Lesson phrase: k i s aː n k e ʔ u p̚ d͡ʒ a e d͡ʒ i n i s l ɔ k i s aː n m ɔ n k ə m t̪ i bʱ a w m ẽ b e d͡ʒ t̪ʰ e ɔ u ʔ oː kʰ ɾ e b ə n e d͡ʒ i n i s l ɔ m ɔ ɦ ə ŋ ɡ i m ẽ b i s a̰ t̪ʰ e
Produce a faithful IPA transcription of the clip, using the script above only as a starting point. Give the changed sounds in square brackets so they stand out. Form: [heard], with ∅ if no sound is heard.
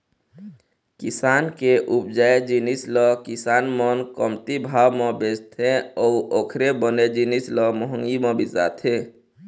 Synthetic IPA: k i s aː n k e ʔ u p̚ d͡ʒ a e d͡ʒ i n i s l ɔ k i s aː n m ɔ n k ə m t̪ i bʱ a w m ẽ b e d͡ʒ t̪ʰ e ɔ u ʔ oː kʰ ɾ e b ə n e d͡ʒ i n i s l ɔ m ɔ ɦ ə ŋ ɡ i m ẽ b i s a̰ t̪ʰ e